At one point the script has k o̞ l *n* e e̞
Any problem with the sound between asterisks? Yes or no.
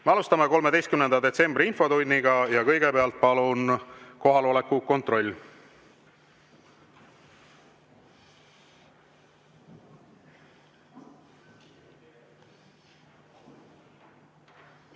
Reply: yes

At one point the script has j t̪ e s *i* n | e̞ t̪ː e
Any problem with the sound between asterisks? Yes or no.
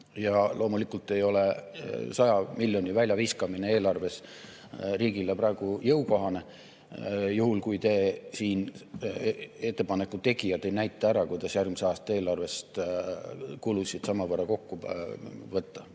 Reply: yes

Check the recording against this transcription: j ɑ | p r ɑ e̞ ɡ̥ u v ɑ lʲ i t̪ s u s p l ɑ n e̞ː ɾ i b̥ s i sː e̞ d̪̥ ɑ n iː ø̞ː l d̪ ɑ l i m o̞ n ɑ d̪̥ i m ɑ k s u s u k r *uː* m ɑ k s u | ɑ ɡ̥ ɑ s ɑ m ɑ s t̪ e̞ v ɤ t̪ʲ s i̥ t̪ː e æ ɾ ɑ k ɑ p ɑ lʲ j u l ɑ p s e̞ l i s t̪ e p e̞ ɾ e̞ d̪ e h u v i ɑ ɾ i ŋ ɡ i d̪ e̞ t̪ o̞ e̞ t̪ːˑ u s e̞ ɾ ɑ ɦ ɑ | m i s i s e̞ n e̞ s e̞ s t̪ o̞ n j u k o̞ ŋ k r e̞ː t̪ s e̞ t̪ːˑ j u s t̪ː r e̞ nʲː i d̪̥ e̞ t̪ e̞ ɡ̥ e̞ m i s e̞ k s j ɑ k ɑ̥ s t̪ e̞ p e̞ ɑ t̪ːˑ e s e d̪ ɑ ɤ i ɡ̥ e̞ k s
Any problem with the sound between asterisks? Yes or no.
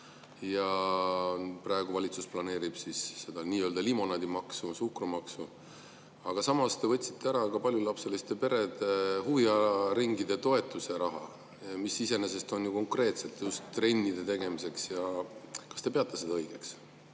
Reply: yes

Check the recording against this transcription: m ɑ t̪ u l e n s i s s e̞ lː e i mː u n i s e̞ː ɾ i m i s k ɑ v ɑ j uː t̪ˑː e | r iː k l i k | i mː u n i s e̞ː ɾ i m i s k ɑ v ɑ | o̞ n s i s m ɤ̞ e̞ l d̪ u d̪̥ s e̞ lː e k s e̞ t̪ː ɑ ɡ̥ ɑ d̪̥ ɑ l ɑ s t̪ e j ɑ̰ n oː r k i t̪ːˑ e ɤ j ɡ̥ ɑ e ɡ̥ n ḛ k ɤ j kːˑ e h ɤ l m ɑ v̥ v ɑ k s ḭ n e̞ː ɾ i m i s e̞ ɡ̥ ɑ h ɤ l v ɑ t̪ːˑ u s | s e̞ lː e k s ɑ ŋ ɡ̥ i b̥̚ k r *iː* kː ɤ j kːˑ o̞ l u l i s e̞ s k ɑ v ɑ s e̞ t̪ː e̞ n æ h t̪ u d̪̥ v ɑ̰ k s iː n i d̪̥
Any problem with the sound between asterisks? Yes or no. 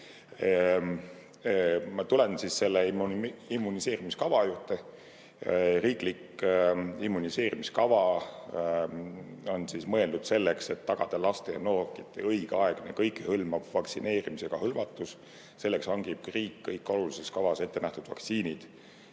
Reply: no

